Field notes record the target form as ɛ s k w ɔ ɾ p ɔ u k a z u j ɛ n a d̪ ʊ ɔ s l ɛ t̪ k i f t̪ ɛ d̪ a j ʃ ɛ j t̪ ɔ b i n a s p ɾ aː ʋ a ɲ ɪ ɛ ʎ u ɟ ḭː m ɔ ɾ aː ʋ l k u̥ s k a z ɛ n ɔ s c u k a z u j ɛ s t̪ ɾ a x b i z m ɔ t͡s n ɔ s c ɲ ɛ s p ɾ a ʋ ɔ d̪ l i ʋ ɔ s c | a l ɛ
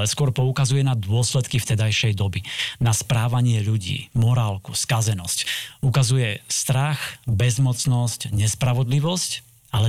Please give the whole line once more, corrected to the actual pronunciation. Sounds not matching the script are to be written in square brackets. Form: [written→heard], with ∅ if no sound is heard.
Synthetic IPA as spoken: ɛ s k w ɔ ɾ p ɔ u k a z u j ɛ n a d̪ ʊ ɔ s l ɛ t̪ k i f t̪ ɛ d̪ a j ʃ ɛ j [t̪→d̪] ɔ b i n a s p ɾ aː ʋ a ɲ ɪ ɛ ʎ u ɟ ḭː m ɔ ɾ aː [ʋ→∅] l k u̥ s k a z ɛ n ɔ s c u k a z u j ɛ s t̪ ɾ a x b [i→ɛ] z m ɔ t͡s n ɔ s c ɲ ɛ s p ɾ a ʋ ɔ d̪ l i ʋ ɔ s c | a l ɛ